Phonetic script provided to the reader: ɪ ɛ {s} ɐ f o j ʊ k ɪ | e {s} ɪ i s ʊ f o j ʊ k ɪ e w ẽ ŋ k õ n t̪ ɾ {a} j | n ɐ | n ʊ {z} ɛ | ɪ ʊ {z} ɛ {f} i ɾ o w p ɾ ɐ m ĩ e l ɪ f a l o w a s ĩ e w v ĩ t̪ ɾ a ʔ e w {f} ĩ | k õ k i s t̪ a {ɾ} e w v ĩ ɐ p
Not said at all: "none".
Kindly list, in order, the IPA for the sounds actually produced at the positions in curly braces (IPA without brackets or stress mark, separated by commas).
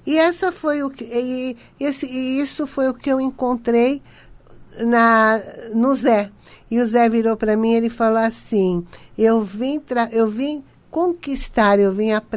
s, s, e, z, z, v, v, ɾ